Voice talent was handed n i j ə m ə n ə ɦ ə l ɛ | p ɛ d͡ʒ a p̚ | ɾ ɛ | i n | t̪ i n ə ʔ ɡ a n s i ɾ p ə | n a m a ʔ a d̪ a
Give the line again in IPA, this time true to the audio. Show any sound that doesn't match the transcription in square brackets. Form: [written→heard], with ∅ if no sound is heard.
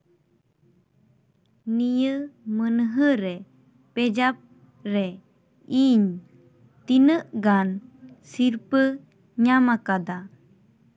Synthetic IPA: n i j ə m ə n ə ɦ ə [l→ɾ] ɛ | p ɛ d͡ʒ a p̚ | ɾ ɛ | i [n→ɲ] | t̪ i n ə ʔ ɡ a n s i ɾ p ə | [n→ɲ] a m a [ʔ→k] a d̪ a